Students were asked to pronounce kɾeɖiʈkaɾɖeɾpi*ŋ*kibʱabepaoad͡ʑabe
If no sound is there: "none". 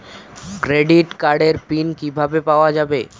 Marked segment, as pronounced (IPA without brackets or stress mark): n